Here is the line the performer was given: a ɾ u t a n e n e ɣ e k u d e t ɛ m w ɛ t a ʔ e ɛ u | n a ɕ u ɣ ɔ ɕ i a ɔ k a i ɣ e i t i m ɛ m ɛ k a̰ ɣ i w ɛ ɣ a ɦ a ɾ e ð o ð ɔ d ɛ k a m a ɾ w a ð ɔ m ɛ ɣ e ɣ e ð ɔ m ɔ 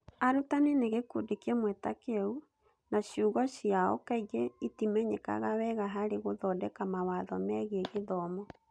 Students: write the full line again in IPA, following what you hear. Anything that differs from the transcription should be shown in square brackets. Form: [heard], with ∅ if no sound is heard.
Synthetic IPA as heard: a ɾ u t a n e n e ɣ e k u d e [k] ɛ m w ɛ t a [k] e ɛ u | n a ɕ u ɣ ɔ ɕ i a ɔ k a i ɣ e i t i m ɛ [ɲ] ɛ k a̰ ɣ [a] w ɛ ɣ a ɦ a ɾ e [ɣ] o ð ɔ d ɛ k a m a [∅] w a ð ɔ m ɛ ɣ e ɣ e ð ɔ m ɔ